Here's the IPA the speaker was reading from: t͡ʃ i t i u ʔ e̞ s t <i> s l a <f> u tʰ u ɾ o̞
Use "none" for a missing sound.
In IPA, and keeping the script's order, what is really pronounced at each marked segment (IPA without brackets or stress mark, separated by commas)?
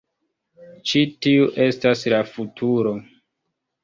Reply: a, f